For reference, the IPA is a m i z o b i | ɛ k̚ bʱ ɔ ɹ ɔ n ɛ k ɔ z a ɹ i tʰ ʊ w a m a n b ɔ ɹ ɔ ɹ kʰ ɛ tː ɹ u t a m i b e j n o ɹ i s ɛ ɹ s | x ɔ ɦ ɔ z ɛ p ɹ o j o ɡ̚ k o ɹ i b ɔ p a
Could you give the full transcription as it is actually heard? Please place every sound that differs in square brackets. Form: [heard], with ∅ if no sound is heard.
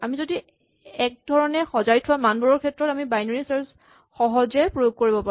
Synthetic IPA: a m i z o [d] i | ɛ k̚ [dʱ] ɔ ɹ ɔ n ɛ [x] ɔ z a ɹ i tʰ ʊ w a m a n b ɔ ɹ ɔ ɹ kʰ ɛ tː ɹ [ɔ] t a m i b [a] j n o ɹ i s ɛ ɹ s | x ɔ ɦ ɔ z ɛ p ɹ o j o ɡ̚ k o ɹ i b ɔ p a